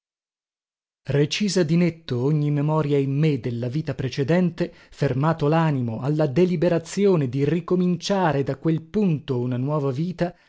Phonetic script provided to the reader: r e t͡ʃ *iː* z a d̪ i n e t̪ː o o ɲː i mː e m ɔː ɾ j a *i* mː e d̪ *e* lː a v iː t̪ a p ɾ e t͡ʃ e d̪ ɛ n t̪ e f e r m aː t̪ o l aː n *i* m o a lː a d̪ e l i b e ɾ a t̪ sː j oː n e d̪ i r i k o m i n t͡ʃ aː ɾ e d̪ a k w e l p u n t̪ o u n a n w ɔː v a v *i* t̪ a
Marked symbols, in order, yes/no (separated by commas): yes, yes, yes, yes, no